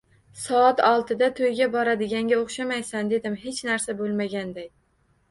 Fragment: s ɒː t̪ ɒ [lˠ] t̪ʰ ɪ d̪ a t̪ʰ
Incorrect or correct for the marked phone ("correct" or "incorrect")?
correct